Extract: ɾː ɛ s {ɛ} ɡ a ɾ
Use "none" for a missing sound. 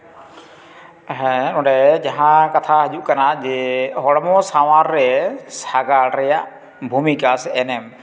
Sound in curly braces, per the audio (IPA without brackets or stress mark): a